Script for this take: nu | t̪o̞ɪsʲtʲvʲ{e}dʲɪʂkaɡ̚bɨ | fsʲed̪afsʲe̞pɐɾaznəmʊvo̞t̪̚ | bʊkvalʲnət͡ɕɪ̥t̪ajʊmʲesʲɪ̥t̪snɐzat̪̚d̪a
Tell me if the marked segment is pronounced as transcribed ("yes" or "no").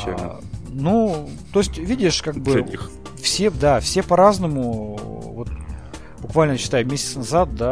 no